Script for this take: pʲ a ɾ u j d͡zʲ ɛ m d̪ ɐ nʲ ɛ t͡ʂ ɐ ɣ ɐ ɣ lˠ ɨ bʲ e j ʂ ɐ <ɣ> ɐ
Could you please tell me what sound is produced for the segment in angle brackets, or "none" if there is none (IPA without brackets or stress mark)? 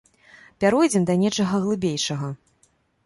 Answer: ɣ